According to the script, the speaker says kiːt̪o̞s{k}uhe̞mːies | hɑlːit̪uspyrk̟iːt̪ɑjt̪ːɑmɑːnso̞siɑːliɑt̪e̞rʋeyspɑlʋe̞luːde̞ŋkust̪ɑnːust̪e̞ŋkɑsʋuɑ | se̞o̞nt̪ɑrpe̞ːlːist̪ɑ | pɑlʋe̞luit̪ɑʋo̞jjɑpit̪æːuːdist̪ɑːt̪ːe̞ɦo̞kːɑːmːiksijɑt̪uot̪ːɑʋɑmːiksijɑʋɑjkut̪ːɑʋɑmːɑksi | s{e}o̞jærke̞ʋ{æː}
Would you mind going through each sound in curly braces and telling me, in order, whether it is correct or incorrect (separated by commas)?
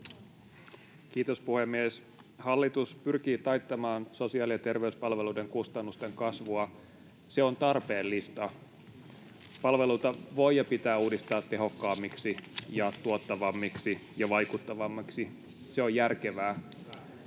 incorrect, correct, correct